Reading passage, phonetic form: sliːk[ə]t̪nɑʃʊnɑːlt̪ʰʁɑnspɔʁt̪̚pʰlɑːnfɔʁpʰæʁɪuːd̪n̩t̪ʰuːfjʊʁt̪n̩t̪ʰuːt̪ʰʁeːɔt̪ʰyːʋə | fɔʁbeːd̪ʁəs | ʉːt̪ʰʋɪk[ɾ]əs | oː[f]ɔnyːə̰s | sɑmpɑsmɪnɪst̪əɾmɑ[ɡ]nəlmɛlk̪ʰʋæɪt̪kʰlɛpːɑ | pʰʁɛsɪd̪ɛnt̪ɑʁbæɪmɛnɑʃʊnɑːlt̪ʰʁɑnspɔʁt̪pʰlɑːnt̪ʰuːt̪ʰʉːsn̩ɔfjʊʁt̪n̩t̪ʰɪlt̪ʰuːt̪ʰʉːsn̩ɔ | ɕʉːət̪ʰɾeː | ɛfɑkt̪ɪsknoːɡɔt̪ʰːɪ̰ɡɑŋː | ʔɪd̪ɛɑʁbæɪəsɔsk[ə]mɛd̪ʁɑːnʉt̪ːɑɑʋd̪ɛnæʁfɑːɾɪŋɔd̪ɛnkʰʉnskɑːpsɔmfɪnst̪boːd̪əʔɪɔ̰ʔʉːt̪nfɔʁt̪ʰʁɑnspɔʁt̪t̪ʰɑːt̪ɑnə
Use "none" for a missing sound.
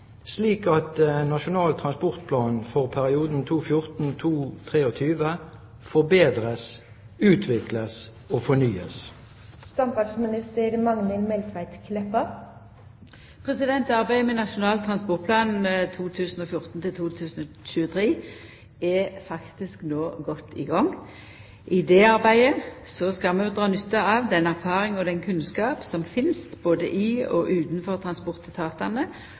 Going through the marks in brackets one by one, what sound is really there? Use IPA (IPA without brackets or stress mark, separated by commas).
ɑ, l, f, ŋ, ɑ